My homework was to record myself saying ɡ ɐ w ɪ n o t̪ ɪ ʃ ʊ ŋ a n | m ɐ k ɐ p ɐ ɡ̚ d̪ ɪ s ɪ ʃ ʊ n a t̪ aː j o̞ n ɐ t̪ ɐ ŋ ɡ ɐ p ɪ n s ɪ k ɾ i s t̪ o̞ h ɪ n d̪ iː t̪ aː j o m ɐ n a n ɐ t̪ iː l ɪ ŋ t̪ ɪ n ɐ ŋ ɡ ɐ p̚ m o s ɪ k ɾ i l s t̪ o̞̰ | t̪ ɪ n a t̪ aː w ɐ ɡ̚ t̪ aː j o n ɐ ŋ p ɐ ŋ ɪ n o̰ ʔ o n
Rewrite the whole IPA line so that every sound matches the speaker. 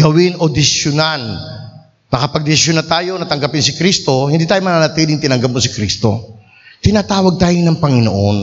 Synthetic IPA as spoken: ɡ ɐ w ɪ n o d̪ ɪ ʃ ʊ n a n | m ɐ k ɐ p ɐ ɡ̚ d̪ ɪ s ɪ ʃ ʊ n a t̪ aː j o̞ n ɐ t̪ ɐ ŋ ɡ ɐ p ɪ n s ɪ k ɾ i s t̪ o̞ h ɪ n d̪ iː t̪ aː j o m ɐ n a n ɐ t̪ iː l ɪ ŋ t̪ ɪ n ɐ ŋ ɡ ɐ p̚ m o s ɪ k ɾ i s t̪ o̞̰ | t̪ ɪ n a t̪ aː w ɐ ɡ̚ t̪ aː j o n ɐ ŋ p ɐ ŋ ɪ n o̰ ʔ o n